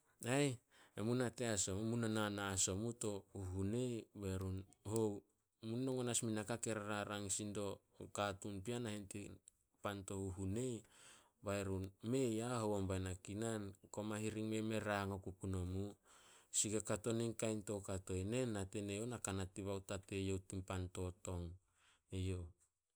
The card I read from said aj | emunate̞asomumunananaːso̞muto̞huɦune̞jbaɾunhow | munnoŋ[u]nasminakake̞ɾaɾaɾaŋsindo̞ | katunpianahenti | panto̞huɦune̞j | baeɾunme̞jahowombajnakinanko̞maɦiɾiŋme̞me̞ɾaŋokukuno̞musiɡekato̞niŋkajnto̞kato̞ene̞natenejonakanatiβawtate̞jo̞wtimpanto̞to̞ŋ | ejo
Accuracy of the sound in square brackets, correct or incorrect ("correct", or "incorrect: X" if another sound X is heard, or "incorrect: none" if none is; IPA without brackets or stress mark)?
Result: incorrect: o